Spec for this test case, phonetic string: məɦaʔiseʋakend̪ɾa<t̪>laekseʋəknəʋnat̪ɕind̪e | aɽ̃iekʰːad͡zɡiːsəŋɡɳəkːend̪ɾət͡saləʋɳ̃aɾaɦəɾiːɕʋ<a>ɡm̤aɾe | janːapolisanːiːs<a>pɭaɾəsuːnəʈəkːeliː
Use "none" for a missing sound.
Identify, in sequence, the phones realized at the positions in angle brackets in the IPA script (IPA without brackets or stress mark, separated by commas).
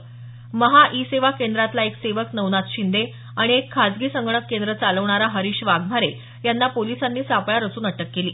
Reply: t̪, a, a